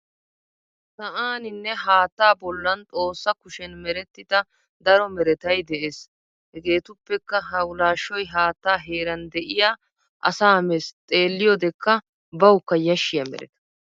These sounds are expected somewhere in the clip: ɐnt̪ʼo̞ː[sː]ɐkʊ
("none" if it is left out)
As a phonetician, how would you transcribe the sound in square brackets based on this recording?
sː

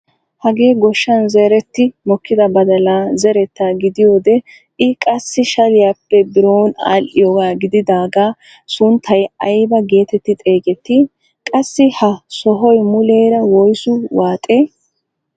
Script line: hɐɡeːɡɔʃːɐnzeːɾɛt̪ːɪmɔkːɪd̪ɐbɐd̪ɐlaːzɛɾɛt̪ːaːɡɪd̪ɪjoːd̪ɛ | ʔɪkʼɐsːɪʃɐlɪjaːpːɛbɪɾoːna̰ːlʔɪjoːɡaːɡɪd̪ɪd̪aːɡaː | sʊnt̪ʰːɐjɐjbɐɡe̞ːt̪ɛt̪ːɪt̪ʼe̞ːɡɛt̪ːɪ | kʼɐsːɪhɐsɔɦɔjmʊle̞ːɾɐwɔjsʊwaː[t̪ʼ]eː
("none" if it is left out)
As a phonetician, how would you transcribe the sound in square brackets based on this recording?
t̪ʼ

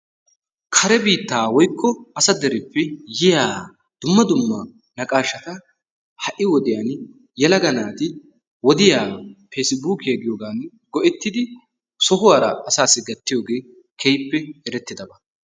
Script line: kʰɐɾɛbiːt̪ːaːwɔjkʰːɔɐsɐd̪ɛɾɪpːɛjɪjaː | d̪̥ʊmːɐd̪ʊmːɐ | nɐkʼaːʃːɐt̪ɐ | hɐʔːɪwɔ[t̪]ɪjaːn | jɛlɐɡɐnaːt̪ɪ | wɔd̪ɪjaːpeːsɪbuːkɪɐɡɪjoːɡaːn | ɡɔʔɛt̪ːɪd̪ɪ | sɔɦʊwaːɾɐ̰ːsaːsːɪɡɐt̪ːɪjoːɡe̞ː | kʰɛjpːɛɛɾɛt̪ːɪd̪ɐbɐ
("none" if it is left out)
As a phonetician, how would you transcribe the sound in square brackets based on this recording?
d̪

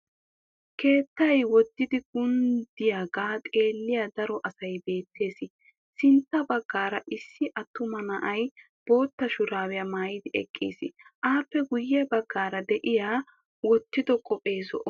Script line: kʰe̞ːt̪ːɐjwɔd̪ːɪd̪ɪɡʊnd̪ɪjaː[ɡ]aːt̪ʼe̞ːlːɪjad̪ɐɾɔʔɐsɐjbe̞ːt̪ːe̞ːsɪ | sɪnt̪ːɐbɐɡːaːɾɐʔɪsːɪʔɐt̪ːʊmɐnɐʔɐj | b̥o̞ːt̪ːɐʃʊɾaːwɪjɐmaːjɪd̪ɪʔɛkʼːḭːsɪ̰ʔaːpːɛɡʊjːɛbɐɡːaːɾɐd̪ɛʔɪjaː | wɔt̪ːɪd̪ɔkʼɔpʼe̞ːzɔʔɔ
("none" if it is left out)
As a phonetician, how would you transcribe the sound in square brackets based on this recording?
ɡ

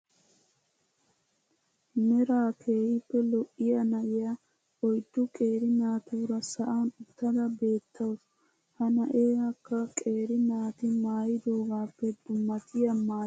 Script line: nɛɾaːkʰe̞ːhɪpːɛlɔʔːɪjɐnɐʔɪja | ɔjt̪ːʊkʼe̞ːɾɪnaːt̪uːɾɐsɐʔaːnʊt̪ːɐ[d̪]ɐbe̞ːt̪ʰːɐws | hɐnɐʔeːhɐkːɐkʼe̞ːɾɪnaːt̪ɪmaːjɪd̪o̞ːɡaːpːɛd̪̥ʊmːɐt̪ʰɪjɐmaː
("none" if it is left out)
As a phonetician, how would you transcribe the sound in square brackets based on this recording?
d̪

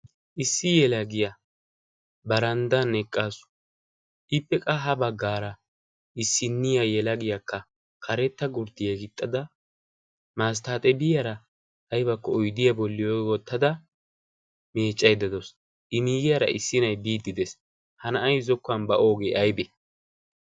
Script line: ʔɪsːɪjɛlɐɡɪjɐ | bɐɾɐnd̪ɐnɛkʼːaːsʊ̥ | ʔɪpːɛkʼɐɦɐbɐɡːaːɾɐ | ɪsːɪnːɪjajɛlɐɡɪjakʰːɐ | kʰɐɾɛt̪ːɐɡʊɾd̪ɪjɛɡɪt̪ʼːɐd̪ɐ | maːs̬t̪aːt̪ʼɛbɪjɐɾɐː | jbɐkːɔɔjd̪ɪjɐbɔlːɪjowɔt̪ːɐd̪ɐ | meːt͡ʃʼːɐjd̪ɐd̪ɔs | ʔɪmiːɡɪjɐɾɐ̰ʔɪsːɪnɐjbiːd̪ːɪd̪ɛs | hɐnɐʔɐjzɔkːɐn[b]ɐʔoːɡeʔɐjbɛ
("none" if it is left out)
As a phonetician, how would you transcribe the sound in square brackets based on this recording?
b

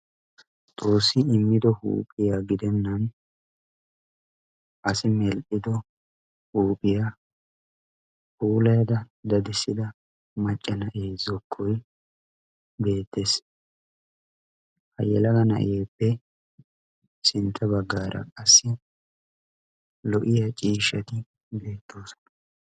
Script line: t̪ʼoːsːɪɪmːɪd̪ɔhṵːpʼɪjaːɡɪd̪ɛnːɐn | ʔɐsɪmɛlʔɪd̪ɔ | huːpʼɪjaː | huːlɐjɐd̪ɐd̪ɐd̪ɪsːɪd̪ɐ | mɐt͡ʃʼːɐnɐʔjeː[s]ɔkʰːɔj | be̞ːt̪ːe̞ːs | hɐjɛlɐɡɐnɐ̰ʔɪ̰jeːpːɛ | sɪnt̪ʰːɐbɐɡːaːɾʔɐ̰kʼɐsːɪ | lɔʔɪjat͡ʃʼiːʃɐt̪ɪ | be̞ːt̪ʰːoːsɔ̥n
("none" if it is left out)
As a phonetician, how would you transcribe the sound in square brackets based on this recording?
z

